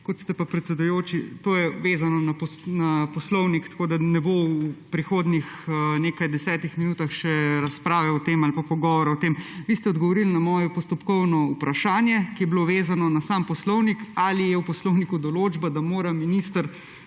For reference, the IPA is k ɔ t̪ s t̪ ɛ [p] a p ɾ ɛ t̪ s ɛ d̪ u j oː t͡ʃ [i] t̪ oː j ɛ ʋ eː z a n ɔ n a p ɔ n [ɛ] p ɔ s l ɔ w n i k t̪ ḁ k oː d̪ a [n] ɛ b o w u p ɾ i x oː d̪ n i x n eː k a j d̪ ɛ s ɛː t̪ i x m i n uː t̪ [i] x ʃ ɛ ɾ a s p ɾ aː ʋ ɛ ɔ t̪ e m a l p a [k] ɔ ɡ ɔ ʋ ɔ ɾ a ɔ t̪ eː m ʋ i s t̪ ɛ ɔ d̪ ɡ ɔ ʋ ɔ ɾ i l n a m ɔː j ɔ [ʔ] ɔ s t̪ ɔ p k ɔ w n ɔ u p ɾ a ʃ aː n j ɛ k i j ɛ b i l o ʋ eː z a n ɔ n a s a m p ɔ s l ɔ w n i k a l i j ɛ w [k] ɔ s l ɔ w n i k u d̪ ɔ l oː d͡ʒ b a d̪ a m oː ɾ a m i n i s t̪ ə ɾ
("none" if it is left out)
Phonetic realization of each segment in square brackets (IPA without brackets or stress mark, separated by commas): p, i, a, n, a, p, p, p